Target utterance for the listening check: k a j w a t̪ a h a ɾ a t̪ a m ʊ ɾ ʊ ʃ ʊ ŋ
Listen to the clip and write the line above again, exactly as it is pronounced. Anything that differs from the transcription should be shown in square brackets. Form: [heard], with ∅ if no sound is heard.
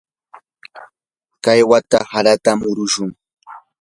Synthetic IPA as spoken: k a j w a t̪ a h a ɾ a t̪ a m ʊ ɾ ʊ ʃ ʊ ŋ